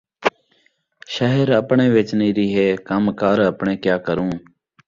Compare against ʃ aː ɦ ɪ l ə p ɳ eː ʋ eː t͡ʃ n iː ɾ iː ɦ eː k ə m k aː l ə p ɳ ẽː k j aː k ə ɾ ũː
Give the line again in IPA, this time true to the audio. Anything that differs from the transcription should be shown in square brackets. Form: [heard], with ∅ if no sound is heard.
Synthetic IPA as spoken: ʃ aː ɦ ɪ [ɾ] ə p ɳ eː ʋ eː t͡ʃ n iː ɾ iː ɦ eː k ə m k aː [ɾ] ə p ɳ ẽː k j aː k ə ɾ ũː